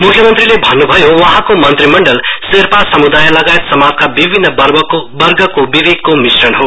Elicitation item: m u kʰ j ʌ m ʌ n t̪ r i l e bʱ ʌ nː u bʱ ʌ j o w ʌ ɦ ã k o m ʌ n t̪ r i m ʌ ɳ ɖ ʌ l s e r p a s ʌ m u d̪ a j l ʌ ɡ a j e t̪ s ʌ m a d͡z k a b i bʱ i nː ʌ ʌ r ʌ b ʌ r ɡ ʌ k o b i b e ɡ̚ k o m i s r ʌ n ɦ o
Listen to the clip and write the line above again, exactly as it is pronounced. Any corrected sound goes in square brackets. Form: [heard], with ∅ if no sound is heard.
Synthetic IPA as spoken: m u kʰ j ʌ m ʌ n t̪ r i l e bʱ ʌ nː u bʱ ʌ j o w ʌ ɦ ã k o m ʌ n t̪ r i m ʌ ɳ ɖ ʌ l s e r p a s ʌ m u d̪ a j l ʌ ɡ a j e t̪ s ʌ m a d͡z k a b i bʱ i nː ʌ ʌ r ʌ b ʌ r ɡ ʌ k o b i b e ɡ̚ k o m i s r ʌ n ɦ o